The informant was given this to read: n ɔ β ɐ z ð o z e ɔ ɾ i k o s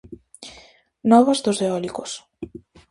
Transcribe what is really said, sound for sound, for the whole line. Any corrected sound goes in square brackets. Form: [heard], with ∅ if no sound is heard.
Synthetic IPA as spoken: n ɔ β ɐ z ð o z e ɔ [l] i k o s